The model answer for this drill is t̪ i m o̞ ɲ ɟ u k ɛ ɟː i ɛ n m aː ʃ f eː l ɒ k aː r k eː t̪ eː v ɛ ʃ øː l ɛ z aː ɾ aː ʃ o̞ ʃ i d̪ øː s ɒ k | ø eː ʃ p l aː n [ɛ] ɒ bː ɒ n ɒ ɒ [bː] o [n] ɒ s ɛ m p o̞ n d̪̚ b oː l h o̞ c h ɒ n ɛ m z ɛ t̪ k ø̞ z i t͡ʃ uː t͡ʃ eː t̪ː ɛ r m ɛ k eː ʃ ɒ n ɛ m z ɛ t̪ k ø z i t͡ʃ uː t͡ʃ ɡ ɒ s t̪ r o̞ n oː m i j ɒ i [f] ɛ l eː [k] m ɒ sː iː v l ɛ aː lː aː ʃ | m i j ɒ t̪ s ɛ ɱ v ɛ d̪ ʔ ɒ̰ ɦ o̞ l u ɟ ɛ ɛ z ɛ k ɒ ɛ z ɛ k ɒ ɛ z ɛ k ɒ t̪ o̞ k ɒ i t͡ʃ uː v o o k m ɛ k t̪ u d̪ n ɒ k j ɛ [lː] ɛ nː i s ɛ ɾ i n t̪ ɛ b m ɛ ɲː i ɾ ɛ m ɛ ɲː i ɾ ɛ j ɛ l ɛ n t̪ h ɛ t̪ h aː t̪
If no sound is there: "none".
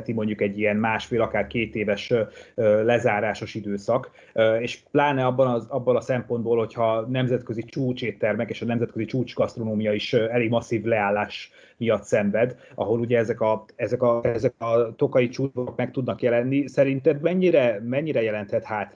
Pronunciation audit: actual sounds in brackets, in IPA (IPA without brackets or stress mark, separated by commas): ɛ, bː, n, ʃ, ɡ, l